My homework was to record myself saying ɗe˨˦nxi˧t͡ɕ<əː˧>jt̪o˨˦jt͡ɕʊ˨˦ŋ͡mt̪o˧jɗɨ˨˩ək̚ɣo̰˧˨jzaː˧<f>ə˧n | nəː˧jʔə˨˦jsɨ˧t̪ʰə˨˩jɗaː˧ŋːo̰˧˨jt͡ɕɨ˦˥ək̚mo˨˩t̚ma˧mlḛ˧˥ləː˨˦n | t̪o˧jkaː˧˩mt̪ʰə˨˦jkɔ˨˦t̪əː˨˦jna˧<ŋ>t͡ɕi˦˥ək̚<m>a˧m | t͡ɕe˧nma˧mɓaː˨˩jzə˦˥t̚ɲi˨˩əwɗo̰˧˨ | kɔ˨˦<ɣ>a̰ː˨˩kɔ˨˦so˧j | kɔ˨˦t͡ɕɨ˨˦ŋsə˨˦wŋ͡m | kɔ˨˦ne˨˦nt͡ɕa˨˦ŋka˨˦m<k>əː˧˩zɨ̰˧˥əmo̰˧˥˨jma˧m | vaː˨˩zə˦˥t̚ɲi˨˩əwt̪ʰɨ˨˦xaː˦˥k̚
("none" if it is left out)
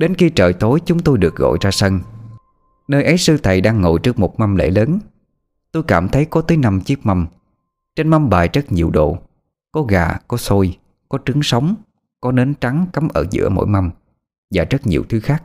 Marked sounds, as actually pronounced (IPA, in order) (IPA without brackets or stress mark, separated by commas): əː˨˩, s, m, m, ɣ, ʔ